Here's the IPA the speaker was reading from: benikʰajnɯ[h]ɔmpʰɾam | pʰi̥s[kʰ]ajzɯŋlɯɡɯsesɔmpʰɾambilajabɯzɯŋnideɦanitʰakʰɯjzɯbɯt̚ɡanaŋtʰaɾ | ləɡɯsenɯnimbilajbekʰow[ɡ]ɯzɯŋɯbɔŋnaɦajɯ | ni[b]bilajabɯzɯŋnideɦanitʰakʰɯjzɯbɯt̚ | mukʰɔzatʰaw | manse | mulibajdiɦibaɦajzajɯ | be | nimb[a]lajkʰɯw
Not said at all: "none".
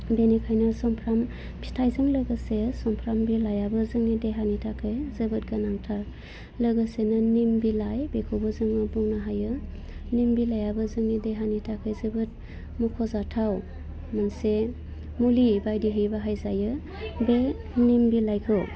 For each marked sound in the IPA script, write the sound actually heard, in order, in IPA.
s, tʰ, b, m, i

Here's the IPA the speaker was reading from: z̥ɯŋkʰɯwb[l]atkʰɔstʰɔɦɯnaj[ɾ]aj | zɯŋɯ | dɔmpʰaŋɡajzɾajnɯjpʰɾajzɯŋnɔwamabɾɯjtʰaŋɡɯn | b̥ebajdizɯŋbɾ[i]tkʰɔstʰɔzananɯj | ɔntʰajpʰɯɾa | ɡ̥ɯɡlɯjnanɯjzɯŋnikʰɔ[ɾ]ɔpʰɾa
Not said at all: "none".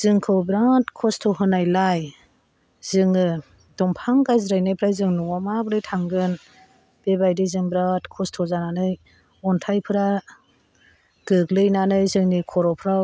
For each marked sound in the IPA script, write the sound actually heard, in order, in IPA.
ɾ, l, a, ɾ

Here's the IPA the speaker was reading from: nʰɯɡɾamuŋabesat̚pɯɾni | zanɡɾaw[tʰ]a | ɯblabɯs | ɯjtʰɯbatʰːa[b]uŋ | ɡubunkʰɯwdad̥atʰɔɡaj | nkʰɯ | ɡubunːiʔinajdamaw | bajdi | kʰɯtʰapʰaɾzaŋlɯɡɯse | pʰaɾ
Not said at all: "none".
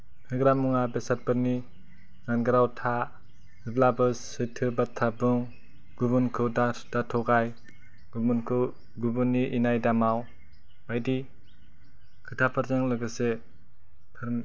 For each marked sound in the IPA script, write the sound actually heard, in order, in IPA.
tʰ, b

